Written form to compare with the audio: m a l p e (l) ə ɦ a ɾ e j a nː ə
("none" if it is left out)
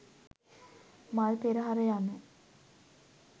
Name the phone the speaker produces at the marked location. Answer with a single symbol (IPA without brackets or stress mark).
ɾ